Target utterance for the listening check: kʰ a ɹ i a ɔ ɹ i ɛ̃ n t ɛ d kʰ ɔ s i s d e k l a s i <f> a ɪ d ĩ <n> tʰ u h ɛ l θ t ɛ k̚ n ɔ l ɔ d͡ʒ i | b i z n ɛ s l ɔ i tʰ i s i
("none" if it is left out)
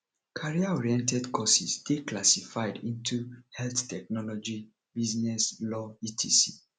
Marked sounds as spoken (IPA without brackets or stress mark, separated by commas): f, n